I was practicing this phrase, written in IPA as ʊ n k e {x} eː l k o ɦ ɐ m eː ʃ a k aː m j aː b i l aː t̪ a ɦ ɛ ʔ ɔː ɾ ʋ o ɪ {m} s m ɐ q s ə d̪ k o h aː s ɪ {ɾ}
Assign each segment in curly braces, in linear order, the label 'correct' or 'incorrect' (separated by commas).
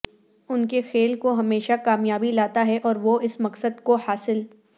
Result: correct, incorrect, incorrect